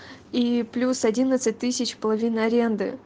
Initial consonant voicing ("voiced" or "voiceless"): voiceless